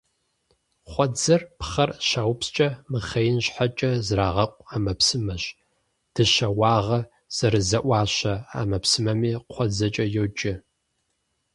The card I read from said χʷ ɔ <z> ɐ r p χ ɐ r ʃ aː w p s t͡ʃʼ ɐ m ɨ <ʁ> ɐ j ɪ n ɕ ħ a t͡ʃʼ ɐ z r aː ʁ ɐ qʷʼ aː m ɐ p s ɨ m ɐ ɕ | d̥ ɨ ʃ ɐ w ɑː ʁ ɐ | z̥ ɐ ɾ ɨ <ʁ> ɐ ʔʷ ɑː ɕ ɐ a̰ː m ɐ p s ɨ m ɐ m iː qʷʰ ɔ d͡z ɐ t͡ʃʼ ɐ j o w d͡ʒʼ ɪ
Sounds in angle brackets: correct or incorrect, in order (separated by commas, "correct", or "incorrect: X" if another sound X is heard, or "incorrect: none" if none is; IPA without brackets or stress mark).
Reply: incorrect: d͡z, incorrect: χ, incorrect: z